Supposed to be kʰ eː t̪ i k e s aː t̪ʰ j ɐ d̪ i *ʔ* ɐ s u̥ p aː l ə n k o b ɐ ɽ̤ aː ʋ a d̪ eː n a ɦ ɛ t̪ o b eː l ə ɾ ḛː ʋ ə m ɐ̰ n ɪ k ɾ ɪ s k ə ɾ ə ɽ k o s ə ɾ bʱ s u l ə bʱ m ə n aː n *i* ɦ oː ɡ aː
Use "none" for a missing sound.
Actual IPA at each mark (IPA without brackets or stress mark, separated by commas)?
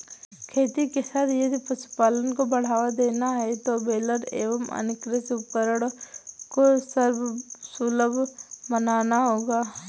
p, a